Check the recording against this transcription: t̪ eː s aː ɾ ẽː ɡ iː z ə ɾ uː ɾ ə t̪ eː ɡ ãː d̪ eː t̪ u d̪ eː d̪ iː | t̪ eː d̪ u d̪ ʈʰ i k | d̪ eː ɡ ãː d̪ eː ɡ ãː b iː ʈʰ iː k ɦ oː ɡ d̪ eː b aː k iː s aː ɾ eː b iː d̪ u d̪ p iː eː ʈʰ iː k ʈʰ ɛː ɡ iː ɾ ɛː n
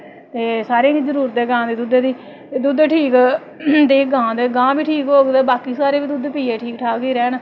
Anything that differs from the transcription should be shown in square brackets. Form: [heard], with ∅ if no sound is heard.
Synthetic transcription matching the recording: t̪ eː s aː ɾ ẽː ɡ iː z ə ɾ uː ɾ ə t̪ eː ɡ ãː d̪ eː [d̪] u d̪ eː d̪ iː | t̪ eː d̪ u d̪ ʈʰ [iː] k | d̪ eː ɡ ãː d̪ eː ɡ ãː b iː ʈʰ iː k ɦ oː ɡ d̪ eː b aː k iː s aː ɾ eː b iː d̪ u d̪ p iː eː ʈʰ iː k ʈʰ [aː] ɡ iː ɾ ɛː n